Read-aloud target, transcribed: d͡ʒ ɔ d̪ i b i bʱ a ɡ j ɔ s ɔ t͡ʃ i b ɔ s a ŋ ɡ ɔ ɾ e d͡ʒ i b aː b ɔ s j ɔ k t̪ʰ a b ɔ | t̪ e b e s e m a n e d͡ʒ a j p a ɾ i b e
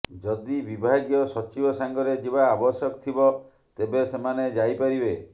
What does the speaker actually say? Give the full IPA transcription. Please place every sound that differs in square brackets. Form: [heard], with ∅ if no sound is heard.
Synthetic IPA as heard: d͡ʒ ɔ d̪ i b i bʱ a ɡ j ɔ s ɔ t͡ʃ i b ɔ s a ŋ ɡ ɔ ɾ e d͡ʒ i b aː b ɔ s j ɔ k t̪ʰ [i] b ɔ | t̪ e b e s e m a n e d͡ʒ a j p a ɾ i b e